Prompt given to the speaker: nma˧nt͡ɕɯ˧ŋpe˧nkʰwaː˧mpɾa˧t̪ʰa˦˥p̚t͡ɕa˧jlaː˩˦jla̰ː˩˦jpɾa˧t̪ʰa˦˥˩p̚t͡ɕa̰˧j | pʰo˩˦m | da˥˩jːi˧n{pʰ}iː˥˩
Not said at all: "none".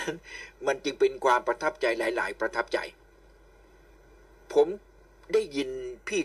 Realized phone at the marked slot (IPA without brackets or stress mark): pʰ